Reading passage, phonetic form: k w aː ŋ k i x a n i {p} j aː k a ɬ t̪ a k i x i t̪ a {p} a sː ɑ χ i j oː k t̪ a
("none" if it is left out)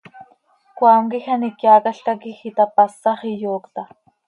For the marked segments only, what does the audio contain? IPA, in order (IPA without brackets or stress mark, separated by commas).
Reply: k, p